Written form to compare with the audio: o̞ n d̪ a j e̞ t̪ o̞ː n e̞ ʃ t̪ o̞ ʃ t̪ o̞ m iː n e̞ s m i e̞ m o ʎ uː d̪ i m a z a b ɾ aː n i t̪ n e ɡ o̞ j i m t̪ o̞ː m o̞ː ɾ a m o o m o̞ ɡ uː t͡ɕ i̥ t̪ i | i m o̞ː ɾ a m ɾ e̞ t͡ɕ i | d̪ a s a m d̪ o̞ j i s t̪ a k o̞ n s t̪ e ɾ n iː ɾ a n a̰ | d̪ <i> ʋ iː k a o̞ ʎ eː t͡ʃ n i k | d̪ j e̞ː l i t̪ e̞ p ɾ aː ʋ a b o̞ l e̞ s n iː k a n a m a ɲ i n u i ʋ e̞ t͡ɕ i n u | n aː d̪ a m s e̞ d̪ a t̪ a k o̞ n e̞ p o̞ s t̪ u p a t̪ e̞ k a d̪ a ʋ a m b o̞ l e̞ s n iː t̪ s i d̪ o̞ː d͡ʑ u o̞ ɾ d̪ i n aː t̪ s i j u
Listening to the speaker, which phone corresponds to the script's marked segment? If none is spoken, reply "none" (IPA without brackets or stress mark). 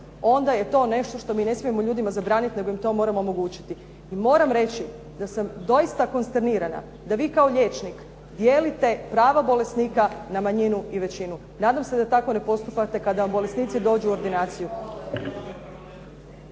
a